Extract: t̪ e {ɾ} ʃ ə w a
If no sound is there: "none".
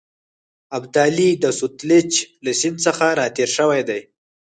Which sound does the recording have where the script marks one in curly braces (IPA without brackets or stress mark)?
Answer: ɾ